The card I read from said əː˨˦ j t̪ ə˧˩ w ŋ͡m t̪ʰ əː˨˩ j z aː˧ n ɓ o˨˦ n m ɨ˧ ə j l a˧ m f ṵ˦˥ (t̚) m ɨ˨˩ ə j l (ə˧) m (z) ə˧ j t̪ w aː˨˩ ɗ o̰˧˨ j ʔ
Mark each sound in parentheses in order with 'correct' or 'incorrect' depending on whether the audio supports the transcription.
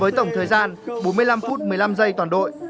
correct, incorrect: a˧, correct

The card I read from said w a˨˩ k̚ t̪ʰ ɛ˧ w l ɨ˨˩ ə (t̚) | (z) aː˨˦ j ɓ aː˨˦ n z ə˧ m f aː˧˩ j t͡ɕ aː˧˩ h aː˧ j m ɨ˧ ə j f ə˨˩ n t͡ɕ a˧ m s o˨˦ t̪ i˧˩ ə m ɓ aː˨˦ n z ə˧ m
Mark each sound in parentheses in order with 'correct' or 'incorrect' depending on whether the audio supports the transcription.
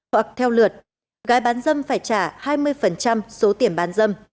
correct, incorrect: ɣ

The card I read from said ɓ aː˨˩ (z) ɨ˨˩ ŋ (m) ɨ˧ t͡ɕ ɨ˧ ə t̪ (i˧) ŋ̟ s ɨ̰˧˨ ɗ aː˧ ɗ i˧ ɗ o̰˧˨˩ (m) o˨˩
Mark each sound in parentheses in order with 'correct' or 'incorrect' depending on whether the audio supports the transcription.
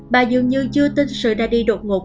correct, incorrect: ɲ, correct, incorrect: ŋ

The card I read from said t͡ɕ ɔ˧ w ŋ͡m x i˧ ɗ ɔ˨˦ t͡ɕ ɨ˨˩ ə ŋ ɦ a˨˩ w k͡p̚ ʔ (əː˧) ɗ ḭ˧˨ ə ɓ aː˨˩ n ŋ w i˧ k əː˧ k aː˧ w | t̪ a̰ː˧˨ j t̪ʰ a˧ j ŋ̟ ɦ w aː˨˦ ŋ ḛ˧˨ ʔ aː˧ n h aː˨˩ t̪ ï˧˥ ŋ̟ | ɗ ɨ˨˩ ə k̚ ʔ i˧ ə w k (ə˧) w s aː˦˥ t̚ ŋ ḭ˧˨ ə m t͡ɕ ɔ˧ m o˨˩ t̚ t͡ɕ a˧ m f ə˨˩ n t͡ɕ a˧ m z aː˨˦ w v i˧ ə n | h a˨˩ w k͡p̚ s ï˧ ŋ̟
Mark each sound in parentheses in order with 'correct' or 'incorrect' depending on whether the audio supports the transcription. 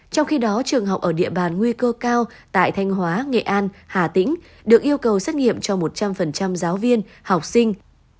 incorrect: əː˧˩, incorrect: ə˨˩

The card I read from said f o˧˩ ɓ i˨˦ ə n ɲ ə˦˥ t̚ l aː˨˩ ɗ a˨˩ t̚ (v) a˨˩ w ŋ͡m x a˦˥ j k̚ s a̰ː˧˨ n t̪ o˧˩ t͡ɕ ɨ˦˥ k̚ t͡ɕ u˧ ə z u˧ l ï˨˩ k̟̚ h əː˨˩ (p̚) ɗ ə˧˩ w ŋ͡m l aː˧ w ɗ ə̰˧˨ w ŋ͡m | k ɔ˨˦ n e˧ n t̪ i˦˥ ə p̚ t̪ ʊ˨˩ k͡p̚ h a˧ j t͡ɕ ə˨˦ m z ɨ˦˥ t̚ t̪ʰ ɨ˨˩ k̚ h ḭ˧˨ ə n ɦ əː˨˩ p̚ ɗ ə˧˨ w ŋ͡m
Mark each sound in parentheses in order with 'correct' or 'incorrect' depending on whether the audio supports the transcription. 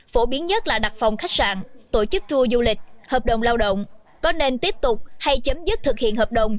incorrect: f, correct

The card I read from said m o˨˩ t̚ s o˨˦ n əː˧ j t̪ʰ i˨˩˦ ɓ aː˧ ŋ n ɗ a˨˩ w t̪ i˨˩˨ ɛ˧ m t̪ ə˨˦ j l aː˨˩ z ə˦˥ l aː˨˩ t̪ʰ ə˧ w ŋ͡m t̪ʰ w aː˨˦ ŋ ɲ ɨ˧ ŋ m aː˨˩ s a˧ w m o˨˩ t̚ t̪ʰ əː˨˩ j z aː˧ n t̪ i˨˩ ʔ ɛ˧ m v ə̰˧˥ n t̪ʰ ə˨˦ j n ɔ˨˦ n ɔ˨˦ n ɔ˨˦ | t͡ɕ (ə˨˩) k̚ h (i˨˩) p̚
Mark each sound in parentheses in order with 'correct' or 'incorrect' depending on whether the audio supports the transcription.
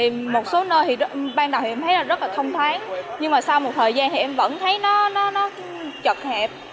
correct, incorrect: ɛ˨˩

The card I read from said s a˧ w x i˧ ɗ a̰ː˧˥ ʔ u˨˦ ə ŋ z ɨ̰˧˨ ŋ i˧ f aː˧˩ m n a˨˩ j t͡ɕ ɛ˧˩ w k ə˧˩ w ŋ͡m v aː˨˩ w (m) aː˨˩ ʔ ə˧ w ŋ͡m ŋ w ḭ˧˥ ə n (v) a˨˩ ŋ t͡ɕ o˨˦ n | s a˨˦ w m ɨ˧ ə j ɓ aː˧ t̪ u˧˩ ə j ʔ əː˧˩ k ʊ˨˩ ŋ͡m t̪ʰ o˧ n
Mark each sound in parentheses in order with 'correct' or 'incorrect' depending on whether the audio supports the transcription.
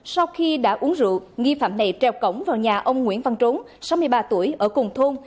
incorrect: ɲ, correct

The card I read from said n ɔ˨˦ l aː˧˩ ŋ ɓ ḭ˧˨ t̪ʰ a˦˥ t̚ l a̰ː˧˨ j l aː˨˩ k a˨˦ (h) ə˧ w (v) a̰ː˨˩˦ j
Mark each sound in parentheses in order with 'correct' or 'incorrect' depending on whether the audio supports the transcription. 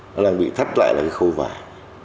incorrect: x, correct

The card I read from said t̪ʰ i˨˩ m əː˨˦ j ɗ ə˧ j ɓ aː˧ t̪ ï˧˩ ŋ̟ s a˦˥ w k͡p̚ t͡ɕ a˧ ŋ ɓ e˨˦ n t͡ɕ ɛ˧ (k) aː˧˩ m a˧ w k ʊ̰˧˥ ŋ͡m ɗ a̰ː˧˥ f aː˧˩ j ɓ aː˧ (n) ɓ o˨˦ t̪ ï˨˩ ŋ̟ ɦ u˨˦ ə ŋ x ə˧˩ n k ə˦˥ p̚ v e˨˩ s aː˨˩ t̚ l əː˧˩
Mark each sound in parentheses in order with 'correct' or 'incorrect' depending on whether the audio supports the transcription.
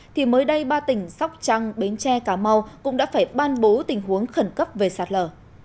correct, correct

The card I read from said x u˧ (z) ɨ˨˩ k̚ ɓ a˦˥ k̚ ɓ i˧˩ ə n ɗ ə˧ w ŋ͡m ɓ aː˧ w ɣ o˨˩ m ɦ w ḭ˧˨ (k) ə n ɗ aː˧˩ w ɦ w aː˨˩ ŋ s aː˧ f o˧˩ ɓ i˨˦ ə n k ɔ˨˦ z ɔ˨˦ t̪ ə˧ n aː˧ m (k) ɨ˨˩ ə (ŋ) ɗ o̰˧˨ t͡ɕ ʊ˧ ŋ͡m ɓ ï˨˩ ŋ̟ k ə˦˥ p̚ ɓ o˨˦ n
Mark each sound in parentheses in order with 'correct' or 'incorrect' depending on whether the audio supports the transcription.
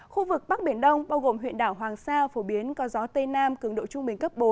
incorrect: v, incorrect: none, correct, correct

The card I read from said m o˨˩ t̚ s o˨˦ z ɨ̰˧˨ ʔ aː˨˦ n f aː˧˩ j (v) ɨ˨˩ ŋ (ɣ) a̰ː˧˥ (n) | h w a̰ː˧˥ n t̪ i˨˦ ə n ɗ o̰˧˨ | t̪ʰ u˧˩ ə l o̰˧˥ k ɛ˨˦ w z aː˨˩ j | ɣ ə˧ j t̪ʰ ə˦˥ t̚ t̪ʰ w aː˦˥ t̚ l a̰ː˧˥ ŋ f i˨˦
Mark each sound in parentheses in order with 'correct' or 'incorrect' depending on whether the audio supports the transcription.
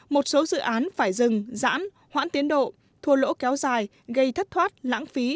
incorrect: z, incorrect: z, correct

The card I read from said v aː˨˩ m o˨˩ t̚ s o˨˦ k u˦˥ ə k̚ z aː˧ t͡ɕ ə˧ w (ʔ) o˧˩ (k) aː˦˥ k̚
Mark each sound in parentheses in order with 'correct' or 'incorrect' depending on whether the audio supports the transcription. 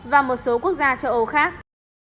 correct, incorrect: x

